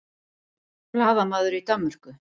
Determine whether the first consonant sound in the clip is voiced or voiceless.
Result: voiced